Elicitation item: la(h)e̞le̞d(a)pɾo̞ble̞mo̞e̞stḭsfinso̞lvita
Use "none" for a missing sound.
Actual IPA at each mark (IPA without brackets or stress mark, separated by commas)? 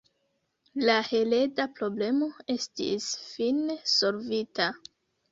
h, a